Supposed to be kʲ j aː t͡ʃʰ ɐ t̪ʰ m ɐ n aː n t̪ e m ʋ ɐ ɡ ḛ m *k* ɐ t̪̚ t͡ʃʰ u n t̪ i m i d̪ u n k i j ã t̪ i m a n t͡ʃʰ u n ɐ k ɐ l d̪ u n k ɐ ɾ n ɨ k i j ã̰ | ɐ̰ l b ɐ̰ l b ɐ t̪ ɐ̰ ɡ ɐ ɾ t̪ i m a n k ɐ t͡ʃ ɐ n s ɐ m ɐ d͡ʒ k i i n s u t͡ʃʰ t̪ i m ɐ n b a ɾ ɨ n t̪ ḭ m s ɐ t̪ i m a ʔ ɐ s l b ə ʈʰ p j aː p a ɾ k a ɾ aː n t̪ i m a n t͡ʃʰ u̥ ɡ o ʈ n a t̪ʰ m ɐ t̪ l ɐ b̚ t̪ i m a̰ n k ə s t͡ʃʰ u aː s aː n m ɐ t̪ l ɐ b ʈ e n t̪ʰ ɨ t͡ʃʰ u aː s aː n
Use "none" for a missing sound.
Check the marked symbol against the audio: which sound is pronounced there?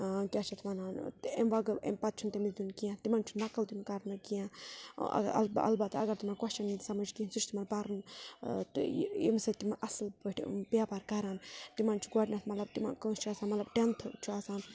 p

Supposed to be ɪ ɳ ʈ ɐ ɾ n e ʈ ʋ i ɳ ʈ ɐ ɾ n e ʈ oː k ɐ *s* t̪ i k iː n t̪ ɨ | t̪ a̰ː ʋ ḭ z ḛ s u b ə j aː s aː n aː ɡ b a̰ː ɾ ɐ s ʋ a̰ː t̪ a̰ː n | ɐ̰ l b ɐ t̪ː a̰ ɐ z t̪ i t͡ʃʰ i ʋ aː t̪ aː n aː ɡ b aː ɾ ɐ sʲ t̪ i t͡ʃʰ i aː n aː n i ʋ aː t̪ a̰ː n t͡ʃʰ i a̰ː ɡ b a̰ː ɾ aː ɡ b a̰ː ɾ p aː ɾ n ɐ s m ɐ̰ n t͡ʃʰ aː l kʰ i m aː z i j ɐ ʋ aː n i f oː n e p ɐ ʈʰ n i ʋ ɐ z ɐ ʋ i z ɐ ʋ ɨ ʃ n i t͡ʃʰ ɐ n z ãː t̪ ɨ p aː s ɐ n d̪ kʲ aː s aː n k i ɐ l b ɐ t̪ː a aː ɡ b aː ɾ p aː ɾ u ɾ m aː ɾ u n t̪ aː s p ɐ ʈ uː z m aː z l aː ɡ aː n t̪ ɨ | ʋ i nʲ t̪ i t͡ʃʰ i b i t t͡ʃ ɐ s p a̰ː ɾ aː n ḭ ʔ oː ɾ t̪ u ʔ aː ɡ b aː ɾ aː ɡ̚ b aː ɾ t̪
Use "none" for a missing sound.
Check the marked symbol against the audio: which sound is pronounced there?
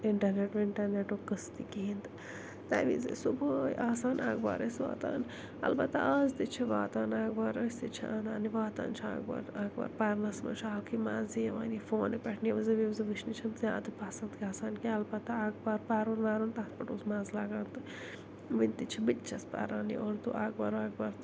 s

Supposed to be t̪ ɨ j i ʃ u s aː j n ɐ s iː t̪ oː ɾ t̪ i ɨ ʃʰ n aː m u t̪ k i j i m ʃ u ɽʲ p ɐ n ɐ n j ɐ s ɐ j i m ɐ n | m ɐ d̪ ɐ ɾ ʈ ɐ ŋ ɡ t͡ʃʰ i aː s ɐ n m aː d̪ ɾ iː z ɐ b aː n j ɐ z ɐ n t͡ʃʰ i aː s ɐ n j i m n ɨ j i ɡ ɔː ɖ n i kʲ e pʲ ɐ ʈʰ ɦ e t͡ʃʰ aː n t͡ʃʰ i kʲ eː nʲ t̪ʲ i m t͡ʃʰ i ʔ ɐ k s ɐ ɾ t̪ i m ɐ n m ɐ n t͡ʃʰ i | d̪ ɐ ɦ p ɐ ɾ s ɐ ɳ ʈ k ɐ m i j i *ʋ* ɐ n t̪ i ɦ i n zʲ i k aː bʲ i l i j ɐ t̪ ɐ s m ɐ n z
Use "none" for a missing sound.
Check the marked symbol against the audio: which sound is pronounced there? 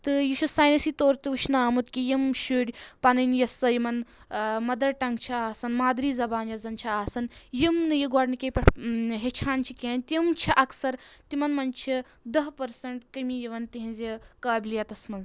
ʋ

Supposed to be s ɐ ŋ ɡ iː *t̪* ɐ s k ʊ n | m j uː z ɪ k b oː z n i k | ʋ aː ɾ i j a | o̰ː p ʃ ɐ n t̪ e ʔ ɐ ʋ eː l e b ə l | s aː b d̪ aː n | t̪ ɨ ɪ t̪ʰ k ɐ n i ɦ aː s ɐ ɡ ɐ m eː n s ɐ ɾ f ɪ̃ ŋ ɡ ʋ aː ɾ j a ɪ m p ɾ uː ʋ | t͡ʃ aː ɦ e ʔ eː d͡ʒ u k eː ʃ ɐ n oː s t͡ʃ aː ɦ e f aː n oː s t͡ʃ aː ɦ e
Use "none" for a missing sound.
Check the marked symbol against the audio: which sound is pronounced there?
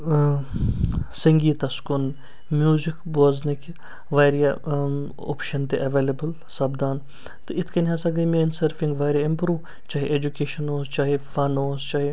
t̪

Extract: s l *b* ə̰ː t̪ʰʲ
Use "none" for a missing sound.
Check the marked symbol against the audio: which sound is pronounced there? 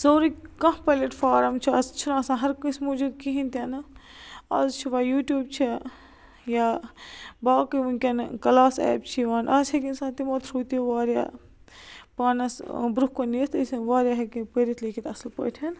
p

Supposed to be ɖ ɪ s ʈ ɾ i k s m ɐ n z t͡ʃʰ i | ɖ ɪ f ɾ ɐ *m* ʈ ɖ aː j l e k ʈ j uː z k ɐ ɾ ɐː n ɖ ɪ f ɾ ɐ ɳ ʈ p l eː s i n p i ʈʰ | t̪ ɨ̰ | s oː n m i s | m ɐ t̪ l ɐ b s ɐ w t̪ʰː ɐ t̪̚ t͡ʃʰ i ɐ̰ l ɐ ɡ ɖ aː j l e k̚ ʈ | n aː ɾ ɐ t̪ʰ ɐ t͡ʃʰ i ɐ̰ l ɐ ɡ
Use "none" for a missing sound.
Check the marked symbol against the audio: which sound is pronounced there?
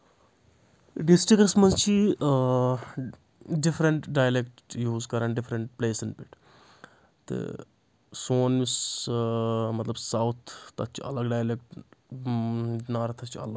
ɳ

